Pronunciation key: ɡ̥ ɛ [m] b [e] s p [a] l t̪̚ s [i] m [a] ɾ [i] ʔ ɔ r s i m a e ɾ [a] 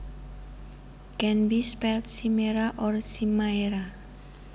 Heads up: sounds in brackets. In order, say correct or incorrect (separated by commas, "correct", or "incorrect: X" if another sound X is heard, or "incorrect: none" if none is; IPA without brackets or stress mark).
incorrect: n, incorrect: i, incorrect: ɛ, correct, incorrect: e, incorrect: a, correct